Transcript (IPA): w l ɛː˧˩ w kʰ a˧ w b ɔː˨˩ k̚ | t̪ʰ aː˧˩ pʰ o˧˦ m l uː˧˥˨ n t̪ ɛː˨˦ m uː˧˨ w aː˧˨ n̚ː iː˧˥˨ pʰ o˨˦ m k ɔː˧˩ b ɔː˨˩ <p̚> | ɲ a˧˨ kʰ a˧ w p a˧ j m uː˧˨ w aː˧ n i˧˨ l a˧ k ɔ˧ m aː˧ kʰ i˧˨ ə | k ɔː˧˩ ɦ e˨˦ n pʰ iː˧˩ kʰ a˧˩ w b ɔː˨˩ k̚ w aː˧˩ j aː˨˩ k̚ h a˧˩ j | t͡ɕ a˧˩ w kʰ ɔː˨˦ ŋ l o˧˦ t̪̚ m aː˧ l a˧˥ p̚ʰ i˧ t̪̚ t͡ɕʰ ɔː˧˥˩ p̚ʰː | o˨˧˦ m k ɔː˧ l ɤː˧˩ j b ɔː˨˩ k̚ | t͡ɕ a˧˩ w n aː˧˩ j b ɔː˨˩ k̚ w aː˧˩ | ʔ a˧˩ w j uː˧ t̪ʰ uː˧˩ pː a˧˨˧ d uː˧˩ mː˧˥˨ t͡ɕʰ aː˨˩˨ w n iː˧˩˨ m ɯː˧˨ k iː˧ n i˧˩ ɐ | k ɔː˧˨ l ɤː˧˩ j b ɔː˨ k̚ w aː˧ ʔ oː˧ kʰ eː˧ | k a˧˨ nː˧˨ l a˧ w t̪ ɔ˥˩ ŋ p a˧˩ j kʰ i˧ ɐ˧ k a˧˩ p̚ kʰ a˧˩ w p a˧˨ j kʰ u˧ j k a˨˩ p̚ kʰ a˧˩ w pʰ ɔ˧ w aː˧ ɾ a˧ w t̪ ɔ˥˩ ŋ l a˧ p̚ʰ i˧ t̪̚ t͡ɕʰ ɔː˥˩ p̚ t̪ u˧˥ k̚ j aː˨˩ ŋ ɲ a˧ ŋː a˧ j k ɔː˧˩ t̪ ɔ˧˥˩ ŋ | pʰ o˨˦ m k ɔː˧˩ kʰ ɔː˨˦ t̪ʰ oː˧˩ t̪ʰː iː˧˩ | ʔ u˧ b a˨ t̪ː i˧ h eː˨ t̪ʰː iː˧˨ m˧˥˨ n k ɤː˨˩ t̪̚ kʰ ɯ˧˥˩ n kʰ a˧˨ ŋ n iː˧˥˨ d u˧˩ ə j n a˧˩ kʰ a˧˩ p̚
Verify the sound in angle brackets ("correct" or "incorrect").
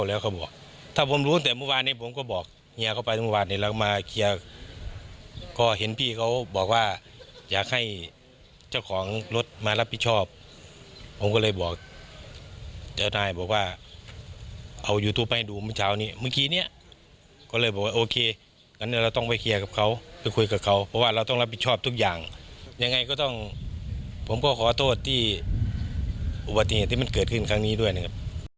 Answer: incorrect